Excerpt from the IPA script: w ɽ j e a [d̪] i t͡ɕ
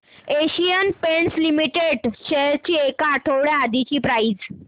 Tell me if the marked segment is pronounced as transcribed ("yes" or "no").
yes